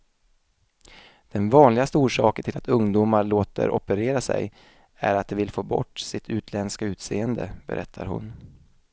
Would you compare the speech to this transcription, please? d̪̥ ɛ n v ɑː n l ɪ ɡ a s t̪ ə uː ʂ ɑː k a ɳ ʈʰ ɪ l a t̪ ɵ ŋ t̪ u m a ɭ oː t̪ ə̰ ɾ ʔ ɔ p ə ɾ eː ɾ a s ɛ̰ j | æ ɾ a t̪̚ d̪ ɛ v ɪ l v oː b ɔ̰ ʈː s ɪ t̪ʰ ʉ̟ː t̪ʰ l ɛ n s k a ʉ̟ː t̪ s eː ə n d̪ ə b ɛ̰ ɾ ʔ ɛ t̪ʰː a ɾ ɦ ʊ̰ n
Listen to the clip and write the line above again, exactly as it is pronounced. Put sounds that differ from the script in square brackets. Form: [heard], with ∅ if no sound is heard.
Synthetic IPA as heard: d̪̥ ɛ n v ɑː n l ɪ ɡ a s t̪ ə uː ʂ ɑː k [ə] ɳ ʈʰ ɪ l a t̪ ɵ ŋ [d̪] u m a ɭ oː t̪ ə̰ ɾ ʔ ɔ p ə ɾ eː ɾ a s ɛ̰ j | æ ɾ a t̪̚ d̪ ɛ v ɪ l [f] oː b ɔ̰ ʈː s ɪ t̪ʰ ʉ̟ː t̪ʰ l ɛ n s k a ʉ̟ː t̪ s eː ə n d̪ ə b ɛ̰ ɾ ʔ ɛ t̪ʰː a ɾ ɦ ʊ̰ n